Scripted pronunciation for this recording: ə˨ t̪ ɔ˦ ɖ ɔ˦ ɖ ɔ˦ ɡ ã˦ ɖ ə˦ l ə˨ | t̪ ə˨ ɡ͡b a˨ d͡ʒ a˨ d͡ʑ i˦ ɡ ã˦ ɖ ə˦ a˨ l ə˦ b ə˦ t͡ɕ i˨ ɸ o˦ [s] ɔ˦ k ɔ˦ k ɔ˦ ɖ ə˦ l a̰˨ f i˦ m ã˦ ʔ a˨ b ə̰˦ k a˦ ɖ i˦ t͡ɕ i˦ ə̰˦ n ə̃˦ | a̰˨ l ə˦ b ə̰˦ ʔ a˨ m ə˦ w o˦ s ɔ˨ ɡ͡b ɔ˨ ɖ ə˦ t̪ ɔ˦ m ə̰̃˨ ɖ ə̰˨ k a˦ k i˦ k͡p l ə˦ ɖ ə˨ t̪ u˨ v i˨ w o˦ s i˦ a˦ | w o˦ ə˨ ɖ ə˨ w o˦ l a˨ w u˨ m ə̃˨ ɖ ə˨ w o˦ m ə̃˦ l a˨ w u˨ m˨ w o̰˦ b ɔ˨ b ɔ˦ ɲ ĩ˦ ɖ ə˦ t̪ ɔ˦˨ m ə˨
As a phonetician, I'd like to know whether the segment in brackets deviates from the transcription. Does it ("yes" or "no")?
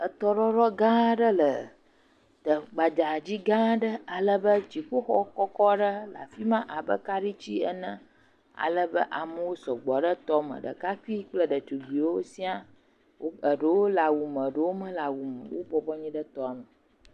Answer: yes